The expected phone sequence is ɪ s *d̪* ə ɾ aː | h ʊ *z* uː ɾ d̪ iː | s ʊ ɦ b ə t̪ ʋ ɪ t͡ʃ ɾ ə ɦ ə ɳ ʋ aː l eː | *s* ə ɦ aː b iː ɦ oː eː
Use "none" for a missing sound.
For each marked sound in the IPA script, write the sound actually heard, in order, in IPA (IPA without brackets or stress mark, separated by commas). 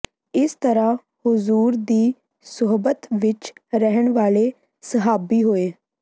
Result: t̪, z, s